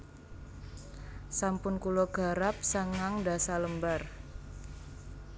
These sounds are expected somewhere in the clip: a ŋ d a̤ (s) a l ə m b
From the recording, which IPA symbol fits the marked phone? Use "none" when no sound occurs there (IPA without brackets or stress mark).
s